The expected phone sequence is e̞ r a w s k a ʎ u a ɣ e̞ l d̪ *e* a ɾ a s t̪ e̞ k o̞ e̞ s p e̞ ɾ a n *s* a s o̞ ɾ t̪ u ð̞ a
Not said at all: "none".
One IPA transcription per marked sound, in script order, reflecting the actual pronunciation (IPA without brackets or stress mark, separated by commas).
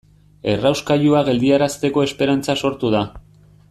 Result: i, t͡s